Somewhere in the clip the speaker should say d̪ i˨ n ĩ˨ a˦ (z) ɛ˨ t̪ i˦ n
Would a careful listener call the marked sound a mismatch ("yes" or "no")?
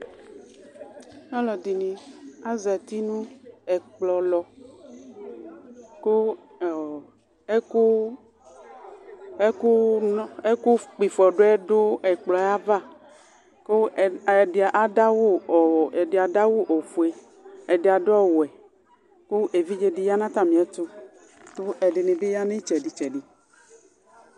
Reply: no